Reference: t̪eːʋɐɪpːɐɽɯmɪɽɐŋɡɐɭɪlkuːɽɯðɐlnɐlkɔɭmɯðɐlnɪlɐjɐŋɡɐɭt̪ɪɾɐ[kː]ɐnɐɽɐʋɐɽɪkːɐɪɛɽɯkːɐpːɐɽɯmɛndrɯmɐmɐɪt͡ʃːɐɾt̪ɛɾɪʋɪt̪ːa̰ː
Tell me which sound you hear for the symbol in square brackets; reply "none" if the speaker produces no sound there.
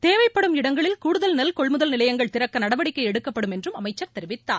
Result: kː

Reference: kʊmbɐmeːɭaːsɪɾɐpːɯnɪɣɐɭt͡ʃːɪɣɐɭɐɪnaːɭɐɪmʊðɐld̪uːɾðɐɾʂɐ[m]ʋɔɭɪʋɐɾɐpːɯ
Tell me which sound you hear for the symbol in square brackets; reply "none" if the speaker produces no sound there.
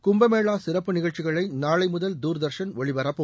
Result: n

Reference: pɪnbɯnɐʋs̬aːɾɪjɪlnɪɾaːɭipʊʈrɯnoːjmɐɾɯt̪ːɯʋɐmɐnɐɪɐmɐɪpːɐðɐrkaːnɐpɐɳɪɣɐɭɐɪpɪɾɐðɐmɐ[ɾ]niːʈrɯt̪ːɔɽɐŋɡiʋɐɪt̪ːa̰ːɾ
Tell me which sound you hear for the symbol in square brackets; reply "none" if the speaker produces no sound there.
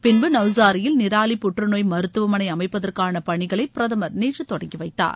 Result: ɾ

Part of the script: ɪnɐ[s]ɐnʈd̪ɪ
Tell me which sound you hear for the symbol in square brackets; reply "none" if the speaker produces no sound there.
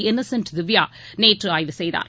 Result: s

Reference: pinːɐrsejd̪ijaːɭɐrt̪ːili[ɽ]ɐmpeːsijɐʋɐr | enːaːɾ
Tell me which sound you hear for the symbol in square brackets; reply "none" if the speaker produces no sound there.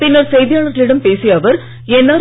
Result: ɽ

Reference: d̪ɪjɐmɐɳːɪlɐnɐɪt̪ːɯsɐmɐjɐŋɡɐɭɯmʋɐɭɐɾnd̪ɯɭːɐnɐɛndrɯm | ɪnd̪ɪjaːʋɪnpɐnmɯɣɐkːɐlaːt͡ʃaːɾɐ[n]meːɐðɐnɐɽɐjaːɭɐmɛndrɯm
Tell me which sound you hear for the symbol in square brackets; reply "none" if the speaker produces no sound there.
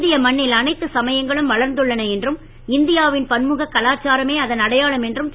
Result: none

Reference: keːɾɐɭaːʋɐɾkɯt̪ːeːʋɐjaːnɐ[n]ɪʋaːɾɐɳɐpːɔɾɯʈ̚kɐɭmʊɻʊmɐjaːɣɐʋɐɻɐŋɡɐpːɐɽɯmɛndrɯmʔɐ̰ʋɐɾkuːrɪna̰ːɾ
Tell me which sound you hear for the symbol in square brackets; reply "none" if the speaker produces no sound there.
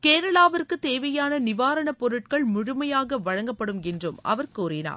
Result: n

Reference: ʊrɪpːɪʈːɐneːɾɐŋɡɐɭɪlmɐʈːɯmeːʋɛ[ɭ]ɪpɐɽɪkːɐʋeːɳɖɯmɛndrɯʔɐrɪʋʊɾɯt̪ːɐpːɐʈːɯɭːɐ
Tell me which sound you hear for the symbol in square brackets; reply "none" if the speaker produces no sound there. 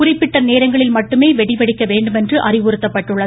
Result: ɽ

